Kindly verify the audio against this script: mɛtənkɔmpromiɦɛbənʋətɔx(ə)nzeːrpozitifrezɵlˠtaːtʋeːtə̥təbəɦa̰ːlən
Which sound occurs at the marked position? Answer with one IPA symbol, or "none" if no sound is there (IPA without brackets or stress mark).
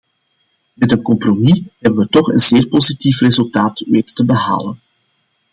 ə